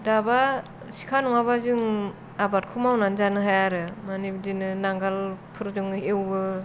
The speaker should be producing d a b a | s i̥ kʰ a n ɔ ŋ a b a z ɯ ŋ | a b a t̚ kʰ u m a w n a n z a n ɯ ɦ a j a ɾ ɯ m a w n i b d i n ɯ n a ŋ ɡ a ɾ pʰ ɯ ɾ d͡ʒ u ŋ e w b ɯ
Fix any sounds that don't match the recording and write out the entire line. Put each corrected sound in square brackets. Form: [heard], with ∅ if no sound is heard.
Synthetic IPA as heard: d a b a | s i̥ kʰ a n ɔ ŋ a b a z ɯ ŋ | a b a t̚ kʰ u m a w n a n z a n ɯ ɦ a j a ɾ ɯ m a [∅] n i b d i n ɯ n a ŋ ɡ a [l] pʰ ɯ ɾ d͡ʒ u ŋ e w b ɯ